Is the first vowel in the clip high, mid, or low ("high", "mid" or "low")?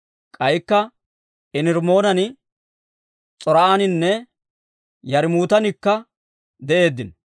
low